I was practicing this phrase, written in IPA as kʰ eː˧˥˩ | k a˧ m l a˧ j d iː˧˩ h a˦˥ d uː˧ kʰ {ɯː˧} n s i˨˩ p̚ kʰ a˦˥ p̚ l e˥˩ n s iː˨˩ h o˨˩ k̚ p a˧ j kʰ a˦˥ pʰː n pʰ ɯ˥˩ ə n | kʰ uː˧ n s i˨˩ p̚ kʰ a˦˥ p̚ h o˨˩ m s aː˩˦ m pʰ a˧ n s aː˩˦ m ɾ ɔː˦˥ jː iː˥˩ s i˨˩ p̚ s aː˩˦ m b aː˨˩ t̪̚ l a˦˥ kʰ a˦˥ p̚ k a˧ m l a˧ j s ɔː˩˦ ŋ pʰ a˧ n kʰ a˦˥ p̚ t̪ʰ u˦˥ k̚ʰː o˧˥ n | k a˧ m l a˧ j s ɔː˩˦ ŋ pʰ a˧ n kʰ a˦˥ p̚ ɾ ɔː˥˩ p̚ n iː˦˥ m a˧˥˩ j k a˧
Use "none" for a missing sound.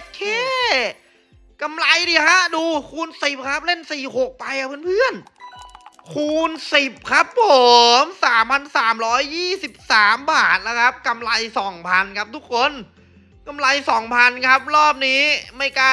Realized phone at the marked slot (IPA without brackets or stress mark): uː˧